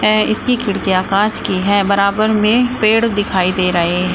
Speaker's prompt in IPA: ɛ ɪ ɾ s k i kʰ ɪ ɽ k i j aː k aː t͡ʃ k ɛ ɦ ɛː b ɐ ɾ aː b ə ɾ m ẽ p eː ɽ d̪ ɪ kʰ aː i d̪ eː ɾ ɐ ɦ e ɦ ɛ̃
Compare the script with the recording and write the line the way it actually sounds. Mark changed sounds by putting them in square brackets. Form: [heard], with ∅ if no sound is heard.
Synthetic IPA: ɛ ɪ [∅] s k i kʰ ɪ ɽ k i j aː k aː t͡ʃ k [i] ɦ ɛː b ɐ ɾ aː b ə ɾ m ẽ p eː ɽ d̪ ɪ kʰ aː i d̪ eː ɾ ɐ ɦ e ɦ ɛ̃